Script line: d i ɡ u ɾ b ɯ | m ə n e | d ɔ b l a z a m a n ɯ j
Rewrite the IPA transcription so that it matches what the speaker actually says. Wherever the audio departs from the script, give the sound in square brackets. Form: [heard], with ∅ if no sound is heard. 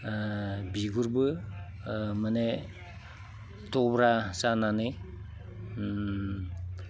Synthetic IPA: [b] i ɡ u ɾ b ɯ | m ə n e | [t] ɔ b [ɾ] a [s] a [n] a n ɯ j